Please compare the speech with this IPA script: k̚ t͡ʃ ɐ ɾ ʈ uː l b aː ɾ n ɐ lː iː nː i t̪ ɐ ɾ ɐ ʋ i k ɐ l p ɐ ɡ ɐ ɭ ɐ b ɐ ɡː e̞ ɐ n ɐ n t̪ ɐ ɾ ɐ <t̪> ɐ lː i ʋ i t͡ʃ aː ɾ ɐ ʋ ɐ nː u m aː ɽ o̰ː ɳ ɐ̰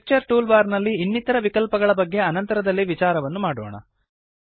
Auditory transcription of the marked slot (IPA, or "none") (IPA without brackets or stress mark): d̪